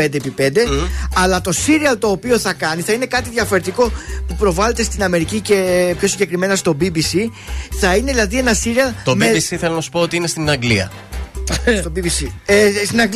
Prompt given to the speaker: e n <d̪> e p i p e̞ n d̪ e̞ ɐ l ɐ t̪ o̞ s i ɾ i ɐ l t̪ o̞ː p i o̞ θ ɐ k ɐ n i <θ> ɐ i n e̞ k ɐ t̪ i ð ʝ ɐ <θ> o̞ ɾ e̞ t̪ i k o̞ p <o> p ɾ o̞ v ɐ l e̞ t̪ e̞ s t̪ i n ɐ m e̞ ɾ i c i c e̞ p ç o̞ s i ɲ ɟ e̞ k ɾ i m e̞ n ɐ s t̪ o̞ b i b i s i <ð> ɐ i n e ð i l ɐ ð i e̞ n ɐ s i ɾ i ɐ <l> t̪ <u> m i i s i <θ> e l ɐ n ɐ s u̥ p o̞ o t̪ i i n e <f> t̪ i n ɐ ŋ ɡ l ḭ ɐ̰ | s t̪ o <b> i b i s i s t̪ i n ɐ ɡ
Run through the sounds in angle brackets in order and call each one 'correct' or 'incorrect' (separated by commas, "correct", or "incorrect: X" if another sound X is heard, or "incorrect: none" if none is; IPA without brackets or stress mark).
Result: correct, correct, incorrect: f, incorrect: u, incorrect: θ, correct, incorrect: o, correct, incorrect: s, correct